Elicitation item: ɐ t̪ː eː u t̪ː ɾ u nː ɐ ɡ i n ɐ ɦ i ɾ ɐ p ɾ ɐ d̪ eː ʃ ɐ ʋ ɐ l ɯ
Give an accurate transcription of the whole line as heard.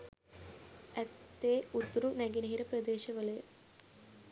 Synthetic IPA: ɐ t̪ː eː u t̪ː ɾ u n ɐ ɡ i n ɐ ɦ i ɾ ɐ p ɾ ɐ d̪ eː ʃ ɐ ʋ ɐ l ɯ